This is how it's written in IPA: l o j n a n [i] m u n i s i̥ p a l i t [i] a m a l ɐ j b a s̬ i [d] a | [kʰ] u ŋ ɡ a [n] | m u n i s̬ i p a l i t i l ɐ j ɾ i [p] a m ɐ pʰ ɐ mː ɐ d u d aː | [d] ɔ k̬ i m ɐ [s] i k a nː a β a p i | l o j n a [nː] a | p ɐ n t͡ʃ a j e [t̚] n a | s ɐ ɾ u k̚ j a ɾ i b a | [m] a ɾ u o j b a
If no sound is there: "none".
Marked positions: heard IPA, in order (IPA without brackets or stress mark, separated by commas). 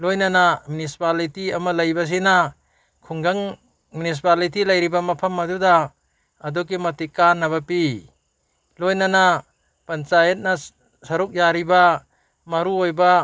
a, i, n, kʰ, ŋ, b, d, t, n, t̚, m